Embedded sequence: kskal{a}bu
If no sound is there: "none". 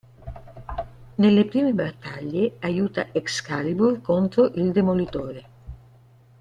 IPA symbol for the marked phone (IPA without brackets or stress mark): i